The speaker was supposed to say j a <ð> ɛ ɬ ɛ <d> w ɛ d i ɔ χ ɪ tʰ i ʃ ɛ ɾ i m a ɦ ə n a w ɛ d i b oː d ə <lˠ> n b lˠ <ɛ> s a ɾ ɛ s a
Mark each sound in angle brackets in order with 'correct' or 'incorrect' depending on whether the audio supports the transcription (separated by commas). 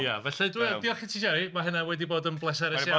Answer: incorrect, correct, incorrect, correct